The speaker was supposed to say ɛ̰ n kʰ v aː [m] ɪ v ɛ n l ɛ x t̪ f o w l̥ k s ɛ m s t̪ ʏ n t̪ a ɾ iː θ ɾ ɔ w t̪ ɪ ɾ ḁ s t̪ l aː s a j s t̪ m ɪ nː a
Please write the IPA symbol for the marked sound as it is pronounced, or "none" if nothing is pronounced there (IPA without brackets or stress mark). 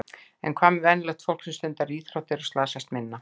m